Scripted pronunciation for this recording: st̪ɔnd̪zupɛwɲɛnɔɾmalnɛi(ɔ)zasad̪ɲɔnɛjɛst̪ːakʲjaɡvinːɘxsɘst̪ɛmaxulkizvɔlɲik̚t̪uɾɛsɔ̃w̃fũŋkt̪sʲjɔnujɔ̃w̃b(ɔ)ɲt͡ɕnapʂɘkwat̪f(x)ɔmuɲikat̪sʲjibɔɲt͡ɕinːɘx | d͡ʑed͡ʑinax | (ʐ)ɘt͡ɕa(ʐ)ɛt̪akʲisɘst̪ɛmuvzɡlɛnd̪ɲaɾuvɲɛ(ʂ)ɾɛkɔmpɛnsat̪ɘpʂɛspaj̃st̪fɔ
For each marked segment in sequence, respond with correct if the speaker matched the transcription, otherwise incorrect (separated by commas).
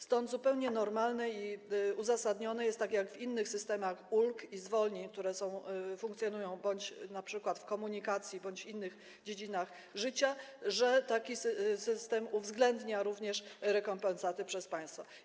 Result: incorrect, correct, incorrect, correct, correct, correct